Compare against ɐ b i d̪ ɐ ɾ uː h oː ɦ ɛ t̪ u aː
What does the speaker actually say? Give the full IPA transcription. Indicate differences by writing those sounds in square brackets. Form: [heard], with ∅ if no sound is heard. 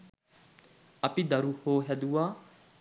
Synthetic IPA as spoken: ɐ [p] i d̪ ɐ ɾ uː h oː ɦ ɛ [d̪] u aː